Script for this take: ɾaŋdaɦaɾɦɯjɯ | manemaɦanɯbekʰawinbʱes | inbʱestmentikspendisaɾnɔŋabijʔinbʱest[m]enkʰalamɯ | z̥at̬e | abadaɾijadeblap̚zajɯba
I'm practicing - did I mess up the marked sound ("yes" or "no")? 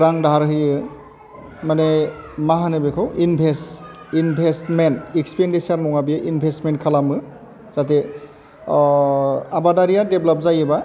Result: no